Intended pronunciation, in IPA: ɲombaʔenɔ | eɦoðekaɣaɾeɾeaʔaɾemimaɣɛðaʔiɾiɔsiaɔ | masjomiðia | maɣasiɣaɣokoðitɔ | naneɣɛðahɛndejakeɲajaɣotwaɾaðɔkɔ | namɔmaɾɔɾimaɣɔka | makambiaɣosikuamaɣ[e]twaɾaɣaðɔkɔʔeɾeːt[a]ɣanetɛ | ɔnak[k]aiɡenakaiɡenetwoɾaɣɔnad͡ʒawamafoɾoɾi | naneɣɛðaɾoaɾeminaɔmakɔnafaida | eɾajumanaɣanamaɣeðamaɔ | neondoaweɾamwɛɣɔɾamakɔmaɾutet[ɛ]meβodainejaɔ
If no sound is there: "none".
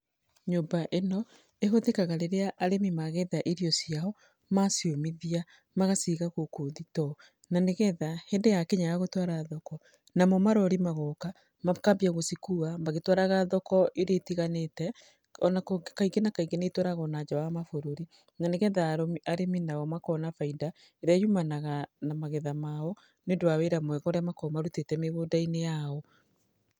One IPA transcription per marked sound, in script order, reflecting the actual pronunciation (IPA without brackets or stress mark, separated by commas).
e, i, k, ɛ